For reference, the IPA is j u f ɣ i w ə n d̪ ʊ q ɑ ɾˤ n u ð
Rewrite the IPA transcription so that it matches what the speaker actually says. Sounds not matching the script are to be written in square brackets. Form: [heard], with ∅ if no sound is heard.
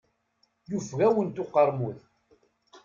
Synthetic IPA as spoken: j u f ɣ [æ] w ə n [t̪] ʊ q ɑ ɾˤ [m] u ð